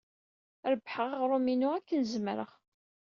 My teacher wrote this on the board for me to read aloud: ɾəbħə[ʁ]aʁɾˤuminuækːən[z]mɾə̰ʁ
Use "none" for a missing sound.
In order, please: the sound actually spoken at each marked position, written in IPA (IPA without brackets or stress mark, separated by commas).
ʁ, z